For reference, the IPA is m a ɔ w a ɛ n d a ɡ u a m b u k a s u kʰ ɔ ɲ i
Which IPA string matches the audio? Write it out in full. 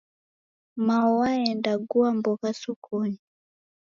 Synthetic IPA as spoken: m a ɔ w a ɛ n d a ɡ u a m b ɔ k a s u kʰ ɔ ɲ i